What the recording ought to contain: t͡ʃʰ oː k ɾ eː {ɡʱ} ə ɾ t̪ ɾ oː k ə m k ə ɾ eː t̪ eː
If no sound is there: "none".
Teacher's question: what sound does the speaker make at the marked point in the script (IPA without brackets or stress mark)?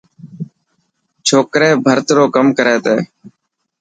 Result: bʱ